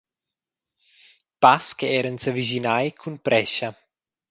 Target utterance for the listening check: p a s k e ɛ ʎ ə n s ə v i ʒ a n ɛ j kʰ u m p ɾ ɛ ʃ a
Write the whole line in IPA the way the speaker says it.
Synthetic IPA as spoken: p a s k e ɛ ɾ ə n s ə v i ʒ i n a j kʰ u n p ɾ ɛ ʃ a